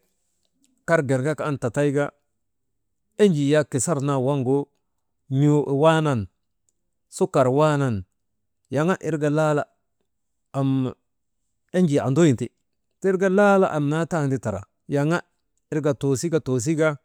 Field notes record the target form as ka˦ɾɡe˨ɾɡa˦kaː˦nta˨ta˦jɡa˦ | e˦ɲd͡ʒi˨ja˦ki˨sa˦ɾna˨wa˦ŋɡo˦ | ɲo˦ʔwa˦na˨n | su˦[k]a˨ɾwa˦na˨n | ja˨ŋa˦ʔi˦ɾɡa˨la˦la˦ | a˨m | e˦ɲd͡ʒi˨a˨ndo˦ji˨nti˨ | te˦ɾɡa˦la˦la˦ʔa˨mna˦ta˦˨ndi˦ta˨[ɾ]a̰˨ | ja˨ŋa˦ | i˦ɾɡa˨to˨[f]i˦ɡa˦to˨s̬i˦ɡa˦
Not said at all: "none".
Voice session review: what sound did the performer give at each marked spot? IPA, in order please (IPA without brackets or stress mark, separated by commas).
k, ɾ, s